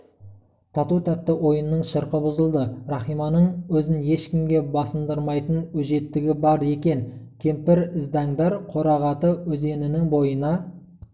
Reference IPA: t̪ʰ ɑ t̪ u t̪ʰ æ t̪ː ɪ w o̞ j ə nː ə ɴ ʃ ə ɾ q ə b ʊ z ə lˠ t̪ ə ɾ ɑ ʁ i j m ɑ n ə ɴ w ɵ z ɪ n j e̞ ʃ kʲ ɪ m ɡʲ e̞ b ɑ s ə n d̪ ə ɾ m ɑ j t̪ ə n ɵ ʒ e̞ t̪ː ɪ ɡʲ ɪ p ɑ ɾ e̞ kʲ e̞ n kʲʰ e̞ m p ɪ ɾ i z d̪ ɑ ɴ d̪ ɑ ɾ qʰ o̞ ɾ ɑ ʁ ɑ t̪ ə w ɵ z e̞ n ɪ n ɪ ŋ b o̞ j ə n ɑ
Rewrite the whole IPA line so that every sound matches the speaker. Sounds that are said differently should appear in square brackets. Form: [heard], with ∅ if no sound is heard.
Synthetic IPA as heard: t̪ʰ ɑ t̪ u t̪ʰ æ t̪ː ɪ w o̞ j ə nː ə ɴ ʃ ə ɾ q ə b ʊ z ə lˠ [d̪] ə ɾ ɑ [χ] i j m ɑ n ə ɴ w ɵ z ɪ n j e̞ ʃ kʲ ɪ m ɡʲ e̞ b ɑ s ə n d̪ ə ɾ m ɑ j t̪ ə n ɵ ʒ e̞ t̪ː ɪ ɡʲ ɪ [b] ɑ ɾ e̞ kʲ e̞ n kʲʰ e̞ m p ɪ ɾ [ɪ] z d̪ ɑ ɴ d̪ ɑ ɾ qʰ o̞ ɾ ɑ ʁ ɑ t̪ ə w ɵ z e̞ n ɪ n ɪ ŋ b o̞ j ə n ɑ

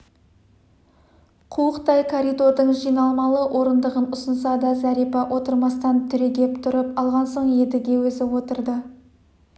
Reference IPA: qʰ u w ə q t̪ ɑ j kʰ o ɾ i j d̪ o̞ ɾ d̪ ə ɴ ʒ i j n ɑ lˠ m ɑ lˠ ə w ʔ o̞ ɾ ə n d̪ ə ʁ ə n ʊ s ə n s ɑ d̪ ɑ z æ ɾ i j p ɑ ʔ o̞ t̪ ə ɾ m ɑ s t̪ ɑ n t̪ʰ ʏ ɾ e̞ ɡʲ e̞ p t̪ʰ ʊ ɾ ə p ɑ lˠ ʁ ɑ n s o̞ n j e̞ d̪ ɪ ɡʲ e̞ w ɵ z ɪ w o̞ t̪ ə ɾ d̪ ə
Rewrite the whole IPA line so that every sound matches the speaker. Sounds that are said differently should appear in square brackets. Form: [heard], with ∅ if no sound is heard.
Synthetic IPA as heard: qʰ u w ə q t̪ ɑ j kʰ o ɾ i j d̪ o̞ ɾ d̪ ə ɴ ʒ i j n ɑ lˠ m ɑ lˠ ə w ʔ o̞ ɾ ə n d̪ ə ʁ ə n ʊ s ə n s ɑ d̪ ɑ z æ ɾ i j p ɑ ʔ o̞ t̪ ə ɾ m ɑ s t̪ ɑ n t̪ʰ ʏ ɾ e̞ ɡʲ e̞ p t̪ʰ ʊ ɾ ə p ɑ lˠ ʁ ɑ n s o̞ [ɴ] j e̞ d̪ ɪ ɡʲ e̞ w ɵ z ɪ w o̞ t̪ ə ɾ d̪ ə

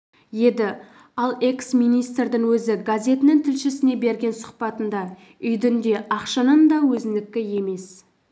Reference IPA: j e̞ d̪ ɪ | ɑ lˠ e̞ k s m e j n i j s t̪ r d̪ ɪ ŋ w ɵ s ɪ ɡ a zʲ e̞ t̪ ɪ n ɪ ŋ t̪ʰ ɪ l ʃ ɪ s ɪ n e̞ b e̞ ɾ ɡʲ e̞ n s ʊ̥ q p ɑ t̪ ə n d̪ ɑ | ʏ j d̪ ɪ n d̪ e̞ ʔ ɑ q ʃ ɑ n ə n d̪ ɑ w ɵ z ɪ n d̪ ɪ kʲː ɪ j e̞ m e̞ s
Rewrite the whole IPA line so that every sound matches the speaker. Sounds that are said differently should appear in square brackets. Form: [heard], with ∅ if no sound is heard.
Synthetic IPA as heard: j e̞ d̪ ɪ | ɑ lˠ e̞ k s m [i] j n i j s t̪ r d̪ ɪ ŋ w ɵ [z] ɪ ɡ a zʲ e̞ t̪ ɪ n ɪ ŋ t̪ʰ ɪ l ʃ ɪ s ɪ n e̞ b e̞ ɾ ɡʲ e̞ n s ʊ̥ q p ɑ t̪ ə n d̪ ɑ | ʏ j d̪ ɪ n d̪ e̞ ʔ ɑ q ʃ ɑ n ə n d̪ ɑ w ɵ z ɪ n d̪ ɪ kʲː ɪ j e̞ m e̞ s

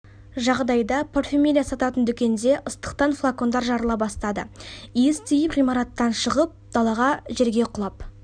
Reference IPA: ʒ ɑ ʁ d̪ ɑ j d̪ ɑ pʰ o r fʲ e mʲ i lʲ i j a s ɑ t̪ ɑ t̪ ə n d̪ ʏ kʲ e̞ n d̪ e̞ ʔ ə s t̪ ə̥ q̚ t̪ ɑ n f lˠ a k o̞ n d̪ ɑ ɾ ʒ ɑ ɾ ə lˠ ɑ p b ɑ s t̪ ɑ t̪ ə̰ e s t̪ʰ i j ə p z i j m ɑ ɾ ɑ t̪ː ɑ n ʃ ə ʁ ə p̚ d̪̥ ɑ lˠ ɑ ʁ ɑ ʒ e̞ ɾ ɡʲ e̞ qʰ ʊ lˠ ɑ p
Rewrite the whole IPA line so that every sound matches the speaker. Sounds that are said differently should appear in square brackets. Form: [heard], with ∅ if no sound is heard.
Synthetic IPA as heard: ʒ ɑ ʁ d̪ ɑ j d̪ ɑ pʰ o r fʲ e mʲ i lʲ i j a s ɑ t̪ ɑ t̪ ə n d̪ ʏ kʲ e̞ n d̪ e̞ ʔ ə s t̪ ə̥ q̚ t̪ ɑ n f lˠ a k o̞ n d̪ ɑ ɾ ʒ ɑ ɾ ə lˠ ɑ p b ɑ s t̪ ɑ [d̪] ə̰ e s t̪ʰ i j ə p [ʁ] i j m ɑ ɾ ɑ t̪ː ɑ n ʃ ə ʁ ə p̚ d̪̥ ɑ lˠ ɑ ʁ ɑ ʒ e̞ ɾ ɡʲ e̞ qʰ ʊ lˠ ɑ p

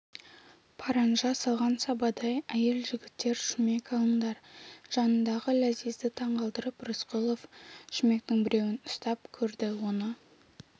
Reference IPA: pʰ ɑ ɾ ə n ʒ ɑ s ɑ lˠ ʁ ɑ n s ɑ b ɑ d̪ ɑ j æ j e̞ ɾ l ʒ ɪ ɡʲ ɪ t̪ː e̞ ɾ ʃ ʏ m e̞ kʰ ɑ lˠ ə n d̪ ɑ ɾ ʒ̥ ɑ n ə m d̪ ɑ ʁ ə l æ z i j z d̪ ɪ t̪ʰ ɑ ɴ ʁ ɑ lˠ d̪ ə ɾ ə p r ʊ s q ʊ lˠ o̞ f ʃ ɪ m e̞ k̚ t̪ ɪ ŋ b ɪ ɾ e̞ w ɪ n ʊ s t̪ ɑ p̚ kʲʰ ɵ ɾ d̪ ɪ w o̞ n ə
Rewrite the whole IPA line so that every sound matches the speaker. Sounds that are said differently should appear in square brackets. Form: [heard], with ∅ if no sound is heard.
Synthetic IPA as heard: pʰ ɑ ɾ [ɑ] n ʒ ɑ s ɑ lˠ ʁ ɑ n s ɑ b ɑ d̪ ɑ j æ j e̞ [∅] l ʒ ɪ ɡʲ ɪ t̪ː e̞ ɾ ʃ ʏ m e̞ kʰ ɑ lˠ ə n d̪ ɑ ɾ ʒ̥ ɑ n ə [n] d̪ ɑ ʁ ə l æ z i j z d̪ ɪ t̪ʰ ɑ ɴ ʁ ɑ lˠ d̪ ə ɾ ə p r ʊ s q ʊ lˠ o̞ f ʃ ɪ m e̞ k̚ t̪ ɪ ŋ b ɪ ɾ e̞ w ɪ n ʊ s t̪ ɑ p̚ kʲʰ ɵ ɾ d̪ ɪ w o̞ n ə

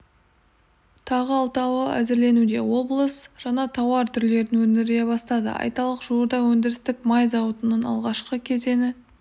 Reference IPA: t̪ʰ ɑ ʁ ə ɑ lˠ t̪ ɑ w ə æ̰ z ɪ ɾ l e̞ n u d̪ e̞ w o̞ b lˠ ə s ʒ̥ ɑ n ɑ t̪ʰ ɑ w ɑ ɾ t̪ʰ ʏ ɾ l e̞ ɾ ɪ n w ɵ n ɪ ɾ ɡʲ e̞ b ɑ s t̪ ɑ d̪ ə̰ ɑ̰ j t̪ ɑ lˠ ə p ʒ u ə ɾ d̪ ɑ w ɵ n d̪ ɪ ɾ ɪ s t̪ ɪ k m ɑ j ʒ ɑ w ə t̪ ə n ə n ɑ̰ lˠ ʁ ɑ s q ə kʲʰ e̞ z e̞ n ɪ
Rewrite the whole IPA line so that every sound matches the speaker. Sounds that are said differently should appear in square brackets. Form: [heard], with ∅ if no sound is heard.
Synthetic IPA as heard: t̪ʰ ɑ ʁ ə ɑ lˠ t̪ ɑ w ə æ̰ z ɪ ɾ l e̞ n u d̪ e̞ w o̞ b lˠ ə s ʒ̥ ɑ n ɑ t̪ʰ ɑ w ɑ ɾ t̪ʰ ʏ ɾ l e̞ ɾ ɪ n w ɵ n ɪ ɾ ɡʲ e̞ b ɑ s t̪ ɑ d̪ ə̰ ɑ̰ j t̪ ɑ lˠ ə [q] ʒ u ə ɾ d̪ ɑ w ɵ n d̪ ɪ ɾ ɪ s t̪ ɪ k m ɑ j [z] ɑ w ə t̪ ə n ə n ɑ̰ lˠ ʁ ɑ [ʃ] q ə kʲʰ e̞ z e̞ n ɪ

